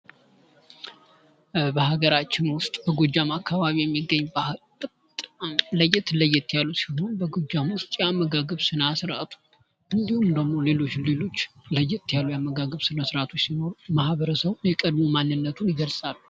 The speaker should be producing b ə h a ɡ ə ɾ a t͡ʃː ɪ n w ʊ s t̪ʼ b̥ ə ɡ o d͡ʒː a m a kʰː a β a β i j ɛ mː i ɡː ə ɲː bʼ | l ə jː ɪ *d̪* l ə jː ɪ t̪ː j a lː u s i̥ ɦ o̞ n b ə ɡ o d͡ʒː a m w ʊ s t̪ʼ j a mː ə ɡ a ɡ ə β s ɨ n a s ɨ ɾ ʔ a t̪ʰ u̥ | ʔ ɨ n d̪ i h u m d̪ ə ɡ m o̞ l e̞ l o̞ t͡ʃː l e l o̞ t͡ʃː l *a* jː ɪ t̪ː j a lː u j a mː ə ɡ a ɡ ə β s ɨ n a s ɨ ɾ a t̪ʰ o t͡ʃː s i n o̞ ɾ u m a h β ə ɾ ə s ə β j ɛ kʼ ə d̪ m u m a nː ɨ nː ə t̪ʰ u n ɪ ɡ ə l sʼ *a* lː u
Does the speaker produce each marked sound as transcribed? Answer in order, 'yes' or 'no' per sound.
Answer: no, no, yes

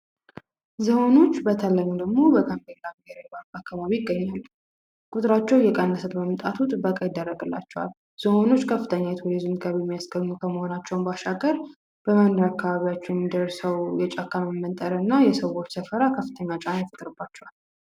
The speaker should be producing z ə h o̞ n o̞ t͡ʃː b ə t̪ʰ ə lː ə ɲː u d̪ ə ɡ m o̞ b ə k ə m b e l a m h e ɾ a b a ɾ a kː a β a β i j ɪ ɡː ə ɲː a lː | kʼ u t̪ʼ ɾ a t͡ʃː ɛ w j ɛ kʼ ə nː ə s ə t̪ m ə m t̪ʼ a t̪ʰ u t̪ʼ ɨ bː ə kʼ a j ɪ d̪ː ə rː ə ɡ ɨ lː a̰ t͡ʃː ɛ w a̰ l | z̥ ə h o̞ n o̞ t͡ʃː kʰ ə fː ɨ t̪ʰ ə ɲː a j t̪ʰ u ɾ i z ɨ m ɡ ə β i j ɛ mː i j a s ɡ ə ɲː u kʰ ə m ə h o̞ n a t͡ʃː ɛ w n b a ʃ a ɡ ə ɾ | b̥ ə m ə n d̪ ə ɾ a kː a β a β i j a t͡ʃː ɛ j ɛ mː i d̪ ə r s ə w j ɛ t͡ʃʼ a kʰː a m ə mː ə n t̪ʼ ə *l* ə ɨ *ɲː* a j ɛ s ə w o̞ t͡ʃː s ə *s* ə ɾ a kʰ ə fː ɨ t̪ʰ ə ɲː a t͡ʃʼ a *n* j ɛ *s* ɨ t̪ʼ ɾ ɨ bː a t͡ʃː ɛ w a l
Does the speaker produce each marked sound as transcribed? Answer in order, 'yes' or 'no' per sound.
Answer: no, no, no, yes, no

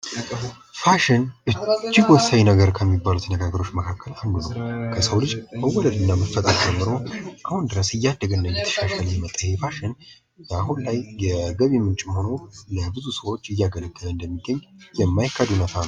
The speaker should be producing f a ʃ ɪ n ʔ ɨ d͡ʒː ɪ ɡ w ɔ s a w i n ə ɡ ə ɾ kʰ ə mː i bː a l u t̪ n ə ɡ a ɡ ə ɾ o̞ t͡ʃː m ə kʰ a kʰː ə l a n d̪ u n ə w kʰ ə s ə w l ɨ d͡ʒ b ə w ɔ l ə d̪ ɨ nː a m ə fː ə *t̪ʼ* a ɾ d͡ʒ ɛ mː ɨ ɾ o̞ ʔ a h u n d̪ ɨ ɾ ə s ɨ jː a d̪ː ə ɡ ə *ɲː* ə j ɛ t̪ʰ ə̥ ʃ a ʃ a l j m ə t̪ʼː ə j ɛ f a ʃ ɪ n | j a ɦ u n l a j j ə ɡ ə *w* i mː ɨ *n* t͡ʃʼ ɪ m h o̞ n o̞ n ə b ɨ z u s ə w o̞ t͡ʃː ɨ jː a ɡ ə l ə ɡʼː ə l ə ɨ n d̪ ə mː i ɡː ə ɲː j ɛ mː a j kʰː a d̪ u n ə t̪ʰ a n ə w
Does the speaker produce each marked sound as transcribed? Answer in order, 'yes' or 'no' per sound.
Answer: yes, no, no, yes

